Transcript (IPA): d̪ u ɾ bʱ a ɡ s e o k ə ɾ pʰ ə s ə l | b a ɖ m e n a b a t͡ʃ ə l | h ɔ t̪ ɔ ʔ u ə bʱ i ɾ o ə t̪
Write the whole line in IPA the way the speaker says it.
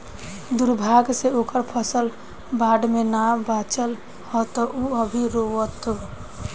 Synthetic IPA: d̪ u ɾ bʱ a ɡ s e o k ə ɾ pʰ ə s ə l | b a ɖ m e n a b a t͡ʃ ə l | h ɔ t̪ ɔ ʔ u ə bʱ i ɾ o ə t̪